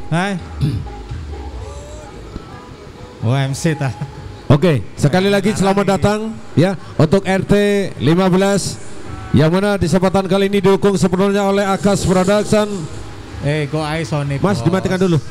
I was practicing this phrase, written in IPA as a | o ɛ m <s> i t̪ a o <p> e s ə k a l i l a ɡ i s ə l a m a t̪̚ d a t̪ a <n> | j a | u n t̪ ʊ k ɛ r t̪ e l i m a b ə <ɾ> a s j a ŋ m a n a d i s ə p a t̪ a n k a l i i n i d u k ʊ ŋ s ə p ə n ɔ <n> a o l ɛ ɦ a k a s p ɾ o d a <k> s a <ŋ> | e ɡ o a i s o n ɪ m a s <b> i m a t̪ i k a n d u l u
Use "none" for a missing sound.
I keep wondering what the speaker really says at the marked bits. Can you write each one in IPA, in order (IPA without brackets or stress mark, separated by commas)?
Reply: s, k, ŋ, l, ɲ, k, n, d